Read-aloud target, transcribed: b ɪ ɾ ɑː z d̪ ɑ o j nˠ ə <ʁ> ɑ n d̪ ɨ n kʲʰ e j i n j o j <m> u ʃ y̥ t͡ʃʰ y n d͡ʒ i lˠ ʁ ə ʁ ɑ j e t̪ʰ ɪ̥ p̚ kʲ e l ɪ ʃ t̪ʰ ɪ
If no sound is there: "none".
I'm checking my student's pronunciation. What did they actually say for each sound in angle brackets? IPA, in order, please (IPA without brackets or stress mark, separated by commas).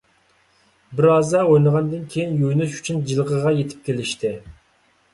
ʁ, n